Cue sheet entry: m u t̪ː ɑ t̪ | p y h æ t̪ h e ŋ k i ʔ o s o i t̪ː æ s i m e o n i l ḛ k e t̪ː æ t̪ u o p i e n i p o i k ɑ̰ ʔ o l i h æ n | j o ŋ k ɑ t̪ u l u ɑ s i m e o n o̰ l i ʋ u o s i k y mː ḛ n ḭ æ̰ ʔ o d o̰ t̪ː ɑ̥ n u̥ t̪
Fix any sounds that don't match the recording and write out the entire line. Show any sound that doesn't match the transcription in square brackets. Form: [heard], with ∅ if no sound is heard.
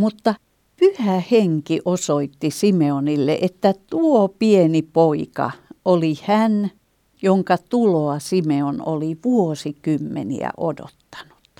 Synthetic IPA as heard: m u t̪ː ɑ [∅] | p y h æ [∅] h e ŋ k i ʔ o s o i t̪ː [i] s i m e o n i [lː] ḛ [ʔ] e t̪ː æ t̪ u o p i e n i p o i k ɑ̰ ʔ o l i h æ n | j o ŋ k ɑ t̪ u l [o] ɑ s i m e o n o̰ l i ʋ u o s i k y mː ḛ n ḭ æ̰ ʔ o d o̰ t̪ː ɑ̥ n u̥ t̪